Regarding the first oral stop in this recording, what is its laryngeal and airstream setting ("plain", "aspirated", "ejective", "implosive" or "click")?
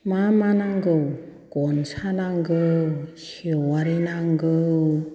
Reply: plain